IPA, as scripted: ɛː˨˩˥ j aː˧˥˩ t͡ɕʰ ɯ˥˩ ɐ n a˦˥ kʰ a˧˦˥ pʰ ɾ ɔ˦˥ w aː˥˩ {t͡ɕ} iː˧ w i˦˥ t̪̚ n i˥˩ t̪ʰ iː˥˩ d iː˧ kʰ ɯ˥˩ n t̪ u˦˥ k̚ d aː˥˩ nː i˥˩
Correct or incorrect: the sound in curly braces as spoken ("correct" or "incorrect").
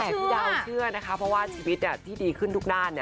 incorrect